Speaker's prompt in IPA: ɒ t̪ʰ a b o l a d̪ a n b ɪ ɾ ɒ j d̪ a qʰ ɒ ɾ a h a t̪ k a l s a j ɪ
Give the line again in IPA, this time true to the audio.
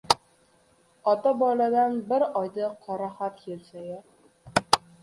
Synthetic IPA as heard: ɒ t̪ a b ɒ l a d̪ a n b ɪ ɾ ɒ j d̪ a qʰ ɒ ɾ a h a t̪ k e l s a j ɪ